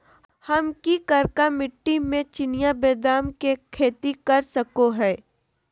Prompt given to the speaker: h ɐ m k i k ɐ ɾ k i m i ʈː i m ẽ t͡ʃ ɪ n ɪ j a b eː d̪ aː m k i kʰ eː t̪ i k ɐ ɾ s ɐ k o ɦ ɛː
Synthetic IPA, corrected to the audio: h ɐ m k i k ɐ ɾ k a m ɪ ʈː i m ẽ t͡ʃ ɪ n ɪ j a b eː d̪ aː m k e kʰ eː t̪ i k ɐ ɾ s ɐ k o ɦ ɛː